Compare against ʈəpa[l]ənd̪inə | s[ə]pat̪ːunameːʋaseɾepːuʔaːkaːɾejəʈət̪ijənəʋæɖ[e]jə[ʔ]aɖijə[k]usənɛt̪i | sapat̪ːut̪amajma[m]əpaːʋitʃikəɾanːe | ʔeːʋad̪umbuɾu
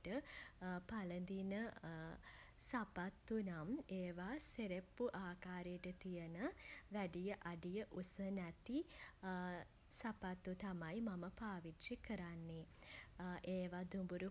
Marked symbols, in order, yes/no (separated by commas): yes, no, no, yes, no, yes